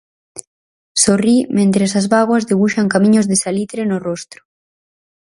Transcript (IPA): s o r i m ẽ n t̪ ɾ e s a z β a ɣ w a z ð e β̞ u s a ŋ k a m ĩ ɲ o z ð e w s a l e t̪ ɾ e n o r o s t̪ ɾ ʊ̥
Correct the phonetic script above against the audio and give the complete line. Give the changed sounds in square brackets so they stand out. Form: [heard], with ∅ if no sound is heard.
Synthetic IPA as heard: s o r i m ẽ n t̪ ɾ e s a z β a ɣ w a z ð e β̞ u [ʃ] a ŋ k a m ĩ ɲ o z ð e [∅] s a l [i] t̪ ɾ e n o r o s t̪ ɾ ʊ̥